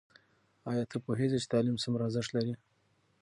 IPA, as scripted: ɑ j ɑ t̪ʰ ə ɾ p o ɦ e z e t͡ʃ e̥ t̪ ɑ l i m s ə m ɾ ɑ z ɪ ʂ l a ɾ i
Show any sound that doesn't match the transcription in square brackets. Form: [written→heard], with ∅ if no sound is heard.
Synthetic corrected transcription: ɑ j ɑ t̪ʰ ə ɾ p o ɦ e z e t͡ʃ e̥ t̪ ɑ l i m s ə m ɾ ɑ z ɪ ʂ l a ɾ i